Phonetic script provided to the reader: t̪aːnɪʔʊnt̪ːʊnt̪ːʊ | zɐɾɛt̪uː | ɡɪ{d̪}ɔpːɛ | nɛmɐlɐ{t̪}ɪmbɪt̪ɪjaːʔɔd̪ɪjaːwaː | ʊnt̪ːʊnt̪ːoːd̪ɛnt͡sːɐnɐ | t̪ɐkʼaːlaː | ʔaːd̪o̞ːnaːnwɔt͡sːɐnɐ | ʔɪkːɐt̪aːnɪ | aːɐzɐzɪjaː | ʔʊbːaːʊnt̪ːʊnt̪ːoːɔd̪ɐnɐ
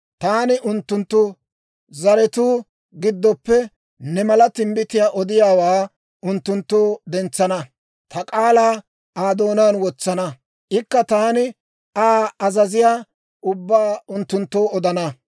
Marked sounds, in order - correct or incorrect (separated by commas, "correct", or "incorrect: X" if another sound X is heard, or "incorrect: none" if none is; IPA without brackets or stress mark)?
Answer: incorrect: d̪ː, correct